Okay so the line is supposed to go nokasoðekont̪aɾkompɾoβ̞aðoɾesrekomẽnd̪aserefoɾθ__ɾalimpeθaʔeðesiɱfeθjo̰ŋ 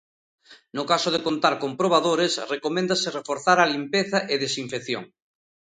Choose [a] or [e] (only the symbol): a